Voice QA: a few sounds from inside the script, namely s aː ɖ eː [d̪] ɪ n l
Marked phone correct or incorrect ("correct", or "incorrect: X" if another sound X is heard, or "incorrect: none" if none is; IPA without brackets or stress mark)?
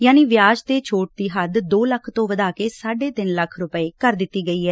incorrect: t̪